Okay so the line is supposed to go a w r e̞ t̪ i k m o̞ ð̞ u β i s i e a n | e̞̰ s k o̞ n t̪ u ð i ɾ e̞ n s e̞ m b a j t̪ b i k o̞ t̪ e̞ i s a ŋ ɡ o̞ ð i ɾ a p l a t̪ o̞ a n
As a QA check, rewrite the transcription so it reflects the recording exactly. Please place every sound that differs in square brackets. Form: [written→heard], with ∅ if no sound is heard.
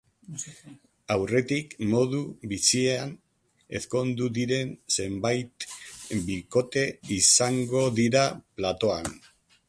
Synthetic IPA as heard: a w r e̞ t̪ i k m o̞ ð̞ u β i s i e a n | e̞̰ s k o̞ n [t̪→d̪] u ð i ɾ e̞ n s e̞ m b a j t̪ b i k o̞ t̪ e̞ i s a ŋ ɡ o̞ ð i ɾ a p l a t̪ o̞ a n